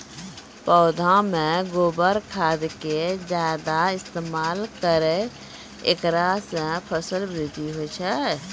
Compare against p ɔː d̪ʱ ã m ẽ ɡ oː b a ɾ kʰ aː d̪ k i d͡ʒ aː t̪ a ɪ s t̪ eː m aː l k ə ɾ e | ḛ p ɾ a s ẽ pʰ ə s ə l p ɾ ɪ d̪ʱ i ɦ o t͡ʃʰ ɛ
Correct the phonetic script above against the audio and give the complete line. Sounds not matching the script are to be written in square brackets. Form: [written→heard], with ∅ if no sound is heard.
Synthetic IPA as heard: p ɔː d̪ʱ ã m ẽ ɡ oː b [a→ə] ɾ kʰ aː d̪ k [i→e] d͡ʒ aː [t̪→d̪] a ɪ s t̪ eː m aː l k ə ɾ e | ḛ [p→k] ɾ a s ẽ pʰ ə s ə l [p→b] ɾ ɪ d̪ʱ i ɦ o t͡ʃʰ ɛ